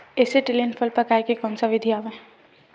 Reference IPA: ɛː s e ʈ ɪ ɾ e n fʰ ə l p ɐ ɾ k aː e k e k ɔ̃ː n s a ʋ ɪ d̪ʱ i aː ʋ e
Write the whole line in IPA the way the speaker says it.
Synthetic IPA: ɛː s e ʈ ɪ l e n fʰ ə l p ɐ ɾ k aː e k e k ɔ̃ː n s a ʋ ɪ d̪ʱ i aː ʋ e

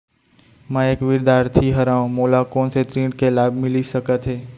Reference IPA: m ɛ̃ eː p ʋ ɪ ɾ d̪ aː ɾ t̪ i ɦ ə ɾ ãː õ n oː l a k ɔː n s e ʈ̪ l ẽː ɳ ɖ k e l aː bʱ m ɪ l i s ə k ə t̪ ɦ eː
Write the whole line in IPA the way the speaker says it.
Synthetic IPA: m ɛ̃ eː k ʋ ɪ ɾ d̪ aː ɾ t̪ʰ i ɦ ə ɾ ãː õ m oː l a k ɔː n s e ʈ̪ ɾ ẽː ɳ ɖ k e l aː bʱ m ɪ l i s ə k ə t̪ ɦ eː

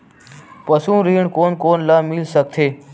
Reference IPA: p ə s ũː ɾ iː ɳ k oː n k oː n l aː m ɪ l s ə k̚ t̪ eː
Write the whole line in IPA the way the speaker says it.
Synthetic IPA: p ə s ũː ɾ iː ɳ k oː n k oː n l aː m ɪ l s ə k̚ t̪ʰ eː

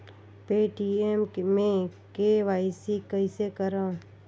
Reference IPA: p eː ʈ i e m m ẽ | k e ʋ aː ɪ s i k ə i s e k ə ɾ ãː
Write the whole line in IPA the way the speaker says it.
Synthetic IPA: p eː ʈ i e m m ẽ | k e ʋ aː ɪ s i k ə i s e k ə ɾ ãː

